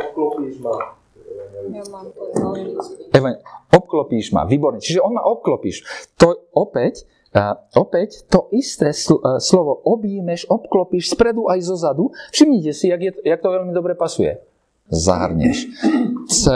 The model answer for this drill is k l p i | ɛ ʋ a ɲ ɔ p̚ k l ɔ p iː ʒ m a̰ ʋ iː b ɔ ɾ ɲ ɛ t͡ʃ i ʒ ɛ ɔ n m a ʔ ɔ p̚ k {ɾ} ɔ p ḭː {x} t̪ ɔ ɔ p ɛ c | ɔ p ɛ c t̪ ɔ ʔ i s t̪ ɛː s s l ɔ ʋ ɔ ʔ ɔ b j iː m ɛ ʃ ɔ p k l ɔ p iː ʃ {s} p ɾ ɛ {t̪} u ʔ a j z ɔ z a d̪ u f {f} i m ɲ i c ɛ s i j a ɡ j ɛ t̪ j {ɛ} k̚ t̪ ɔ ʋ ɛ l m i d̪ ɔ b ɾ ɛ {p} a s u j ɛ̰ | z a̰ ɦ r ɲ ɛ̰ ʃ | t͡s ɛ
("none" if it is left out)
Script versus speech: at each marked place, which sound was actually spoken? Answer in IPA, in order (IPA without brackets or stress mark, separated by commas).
l, ʃ, s, d̪, ʃ, a, p